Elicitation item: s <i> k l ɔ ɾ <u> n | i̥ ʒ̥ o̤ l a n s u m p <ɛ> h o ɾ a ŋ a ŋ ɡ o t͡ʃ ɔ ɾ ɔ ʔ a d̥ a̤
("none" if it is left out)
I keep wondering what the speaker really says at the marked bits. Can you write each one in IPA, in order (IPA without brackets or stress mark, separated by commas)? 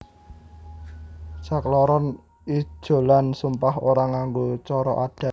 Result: a, ɔ, a